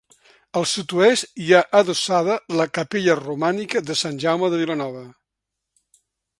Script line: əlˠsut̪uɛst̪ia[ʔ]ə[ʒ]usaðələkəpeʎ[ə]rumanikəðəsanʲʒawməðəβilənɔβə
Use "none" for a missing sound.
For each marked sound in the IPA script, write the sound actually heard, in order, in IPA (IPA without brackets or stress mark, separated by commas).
ʔ, ð, ə